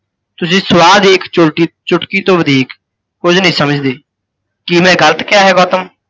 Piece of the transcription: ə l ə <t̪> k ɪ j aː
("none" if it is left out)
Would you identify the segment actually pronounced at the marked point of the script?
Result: t̪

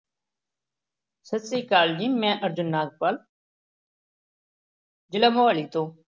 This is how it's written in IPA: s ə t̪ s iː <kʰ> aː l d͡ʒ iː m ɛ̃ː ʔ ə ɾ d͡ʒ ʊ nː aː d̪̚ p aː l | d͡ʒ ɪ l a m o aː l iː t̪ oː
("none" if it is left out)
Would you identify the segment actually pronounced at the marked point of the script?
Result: k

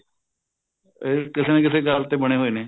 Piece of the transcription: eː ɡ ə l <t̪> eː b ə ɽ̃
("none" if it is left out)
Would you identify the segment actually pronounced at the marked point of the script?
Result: t̪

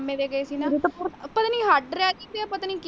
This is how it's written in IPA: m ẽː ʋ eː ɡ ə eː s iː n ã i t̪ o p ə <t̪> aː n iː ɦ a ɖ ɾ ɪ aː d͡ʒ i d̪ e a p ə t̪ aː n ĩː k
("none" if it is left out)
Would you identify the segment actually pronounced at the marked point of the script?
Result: t̪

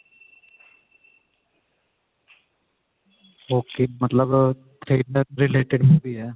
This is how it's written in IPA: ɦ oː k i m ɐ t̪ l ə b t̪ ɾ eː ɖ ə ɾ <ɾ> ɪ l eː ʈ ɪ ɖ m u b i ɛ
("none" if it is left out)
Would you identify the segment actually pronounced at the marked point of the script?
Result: ɾ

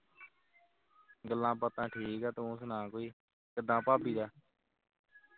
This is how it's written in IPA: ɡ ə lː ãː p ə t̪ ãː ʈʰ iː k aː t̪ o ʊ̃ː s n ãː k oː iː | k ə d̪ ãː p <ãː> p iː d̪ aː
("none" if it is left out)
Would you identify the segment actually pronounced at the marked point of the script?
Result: aː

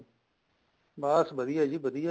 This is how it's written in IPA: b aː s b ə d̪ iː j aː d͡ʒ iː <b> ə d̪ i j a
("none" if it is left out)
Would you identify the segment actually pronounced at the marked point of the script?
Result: b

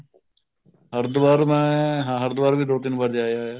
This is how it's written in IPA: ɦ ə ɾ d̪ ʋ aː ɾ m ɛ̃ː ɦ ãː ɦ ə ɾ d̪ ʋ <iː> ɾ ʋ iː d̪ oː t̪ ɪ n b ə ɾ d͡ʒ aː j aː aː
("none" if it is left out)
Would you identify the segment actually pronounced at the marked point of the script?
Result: aː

